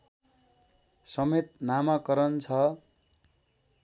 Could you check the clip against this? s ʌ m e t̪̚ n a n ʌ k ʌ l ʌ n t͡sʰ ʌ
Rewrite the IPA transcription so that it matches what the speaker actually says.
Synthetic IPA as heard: s ʌ m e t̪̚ n a m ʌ k ʌ ɾ ʌ n t͡sʰ ʌ